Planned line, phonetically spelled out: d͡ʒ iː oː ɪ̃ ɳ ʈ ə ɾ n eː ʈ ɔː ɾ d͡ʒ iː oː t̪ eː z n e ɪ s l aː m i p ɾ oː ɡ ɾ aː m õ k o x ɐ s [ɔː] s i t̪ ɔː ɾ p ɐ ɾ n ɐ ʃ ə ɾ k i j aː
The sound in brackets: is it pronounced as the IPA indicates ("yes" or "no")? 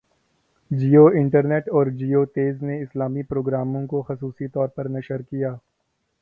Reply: no